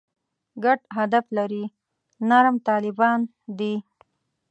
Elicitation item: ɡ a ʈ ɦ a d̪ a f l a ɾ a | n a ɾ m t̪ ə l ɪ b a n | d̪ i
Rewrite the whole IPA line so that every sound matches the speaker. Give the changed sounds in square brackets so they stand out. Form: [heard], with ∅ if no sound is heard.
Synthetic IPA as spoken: ɡ a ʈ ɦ a d̪ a f l a ɾ [i] | n a ɾ m t̪ [ɑ] l ɪ b [ɑ] n | d̪ i